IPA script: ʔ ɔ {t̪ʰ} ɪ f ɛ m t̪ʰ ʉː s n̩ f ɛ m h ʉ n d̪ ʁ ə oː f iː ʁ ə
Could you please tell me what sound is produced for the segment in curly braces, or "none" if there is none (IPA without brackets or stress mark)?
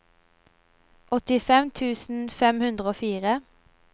t̪